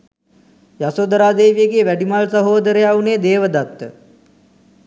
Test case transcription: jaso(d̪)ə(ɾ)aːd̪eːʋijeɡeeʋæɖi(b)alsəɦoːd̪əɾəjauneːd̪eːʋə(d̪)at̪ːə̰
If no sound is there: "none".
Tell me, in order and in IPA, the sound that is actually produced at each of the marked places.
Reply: d̪, ɾ, m, d̪

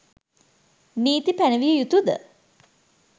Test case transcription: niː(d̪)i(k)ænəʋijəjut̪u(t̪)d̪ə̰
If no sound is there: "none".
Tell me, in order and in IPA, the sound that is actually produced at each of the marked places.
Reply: t̪, p, none

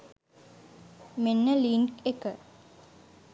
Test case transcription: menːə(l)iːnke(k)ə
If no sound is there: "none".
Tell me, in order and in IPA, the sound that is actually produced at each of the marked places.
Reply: l, k

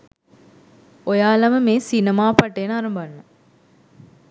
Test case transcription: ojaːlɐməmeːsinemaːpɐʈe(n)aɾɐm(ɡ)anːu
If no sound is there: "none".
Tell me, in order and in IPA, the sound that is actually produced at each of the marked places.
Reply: n, b

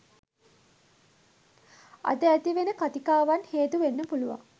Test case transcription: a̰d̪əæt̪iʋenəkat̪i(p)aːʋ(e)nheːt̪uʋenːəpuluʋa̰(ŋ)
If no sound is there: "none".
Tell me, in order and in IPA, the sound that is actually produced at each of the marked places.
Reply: k, a, ŋ

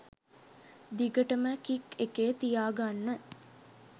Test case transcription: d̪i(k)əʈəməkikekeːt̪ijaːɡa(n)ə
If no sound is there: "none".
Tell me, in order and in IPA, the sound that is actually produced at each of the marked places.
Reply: ɡ, nː

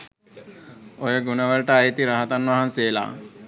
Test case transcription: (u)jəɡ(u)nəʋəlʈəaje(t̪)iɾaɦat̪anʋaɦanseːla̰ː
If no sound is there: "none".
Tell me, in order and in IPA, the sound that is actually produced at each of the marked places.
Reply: o, u, t̪

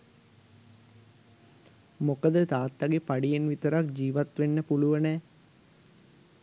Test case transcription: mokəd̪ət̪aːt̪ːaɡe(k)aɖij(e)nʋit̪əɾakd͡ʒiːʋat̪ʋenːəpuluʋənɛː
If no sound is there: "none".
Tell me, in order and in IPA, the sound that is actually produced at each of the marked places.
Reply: p, e

